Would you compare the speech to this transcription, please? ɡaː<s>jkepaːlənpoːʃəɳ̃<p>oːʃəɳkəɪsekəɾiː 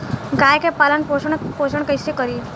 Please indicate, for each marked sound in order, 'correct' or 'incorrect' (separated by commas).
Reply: incorrect, correct